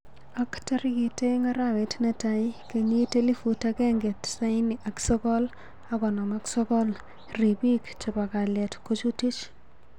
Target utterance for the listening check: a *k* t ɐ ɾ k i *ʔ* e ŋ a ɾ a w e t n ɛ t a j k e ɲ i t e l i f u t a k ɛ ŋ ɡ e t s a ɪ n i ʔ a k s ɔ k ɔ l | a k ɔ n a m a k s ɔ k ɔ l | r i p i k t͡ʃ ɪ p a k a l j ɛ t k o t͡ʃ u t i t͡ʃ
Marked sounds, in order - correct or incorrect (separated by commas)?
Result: correct, incorrect